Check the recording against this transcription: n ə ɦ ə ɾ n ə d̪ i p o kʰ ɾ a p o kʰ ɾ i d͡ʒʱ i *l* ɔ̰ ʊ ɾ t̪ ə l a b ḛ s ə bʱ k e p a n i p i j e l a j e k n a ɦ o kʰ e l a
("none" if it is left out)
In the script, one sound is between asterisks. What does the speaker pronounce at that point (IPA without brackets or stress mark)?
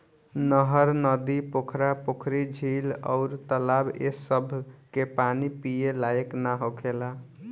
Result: l